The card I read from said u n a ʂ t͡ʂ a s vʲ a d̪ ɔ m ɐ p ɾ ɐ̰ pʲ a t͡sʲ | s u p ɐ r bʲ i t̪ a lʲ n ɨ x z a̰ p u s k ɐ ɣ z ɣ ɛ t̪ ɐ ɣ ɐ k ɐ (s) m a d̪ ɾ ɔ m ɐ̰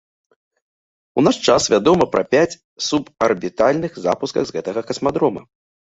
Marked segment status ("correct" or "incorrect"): correct